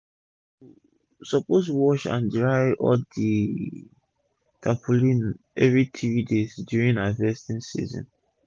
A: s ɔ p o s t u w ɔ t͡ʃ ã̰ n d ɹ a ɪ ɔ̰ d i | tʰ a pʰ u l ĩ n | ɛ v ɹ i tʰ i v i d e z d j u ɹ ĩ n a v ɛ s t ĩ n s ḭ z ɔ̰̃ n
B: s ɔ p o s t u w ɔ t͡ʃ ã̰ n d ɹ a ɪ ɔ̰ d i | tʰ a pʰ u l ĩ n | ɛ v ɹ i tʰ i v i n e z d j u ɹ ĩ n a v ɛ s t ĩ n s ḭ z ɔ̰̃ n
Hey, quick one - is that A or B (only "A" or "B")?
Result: A